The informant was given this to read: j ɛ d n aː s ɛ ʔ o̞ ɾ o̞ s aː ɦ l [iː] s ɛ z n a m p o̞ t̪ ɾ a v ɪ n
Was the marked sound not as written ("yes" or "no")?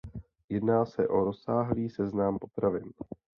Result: no